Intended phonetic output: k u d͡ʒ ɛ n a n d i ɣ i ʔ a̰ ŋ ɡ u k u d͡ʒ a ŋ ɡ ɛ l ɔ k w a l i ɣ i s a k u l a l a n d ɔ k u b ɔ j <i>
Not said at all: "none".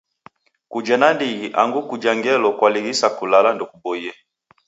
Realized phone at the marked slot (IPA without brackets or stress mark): ɛ